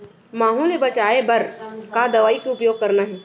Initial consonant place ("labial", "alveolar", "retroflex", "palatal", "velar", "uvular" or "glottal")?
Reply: labial